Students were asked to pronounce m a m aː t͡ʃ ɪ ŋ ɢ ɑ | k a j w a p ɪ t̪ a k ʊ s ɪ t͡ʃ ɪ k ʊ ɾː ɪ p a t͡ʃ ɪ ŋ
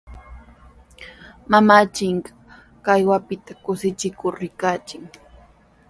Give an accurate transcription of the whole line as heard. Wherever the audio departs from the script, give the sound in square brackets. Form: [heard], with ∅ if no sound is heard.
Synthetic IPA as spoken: m a m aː t͡ʃ ɪ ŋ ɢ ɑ | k a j w a p ɪ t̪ a k ʊ s ɪ t͡ʃ ɪ k ʊ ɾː ɪ [k] a t͡ʃ ɪ ŋ